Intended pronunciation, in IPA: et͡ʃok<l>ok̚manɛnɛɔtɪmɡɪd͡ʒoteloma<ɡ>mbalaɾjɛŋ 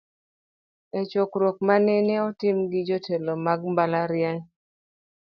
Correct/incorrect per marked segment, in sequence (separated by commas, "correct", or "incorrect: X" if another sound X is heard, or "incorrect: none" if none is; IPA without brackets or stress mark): incorrect: ɾ, correct